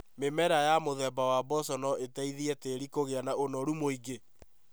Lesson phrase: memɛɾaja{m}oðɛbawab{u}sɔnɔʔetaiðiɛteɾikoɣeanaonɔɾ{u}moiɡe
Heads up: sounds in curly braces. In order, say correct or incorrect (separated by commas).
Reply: correct, incorrect, correct